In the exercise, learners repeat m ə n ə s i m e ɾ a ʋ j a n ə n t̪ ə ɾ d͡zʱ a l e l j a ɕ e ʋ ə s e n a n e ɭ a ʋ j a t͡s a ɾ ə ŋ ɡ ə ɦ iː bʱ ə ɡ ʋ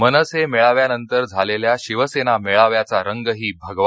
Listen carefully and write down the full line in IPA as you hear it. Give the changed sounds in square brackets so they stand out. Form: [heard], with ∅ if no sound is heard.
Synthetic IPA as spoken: m ə n ə s [e] m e [ɭ] a ʋ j a n ə n t̪ ə ɾ d͡zʱ a l e l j a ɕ [i] ʋ ə s e n a [m] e ɭ a ʋ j a t͡s a ɾ ə ŋ ɡ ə ɦ iː bʱ ə ɡ ʋ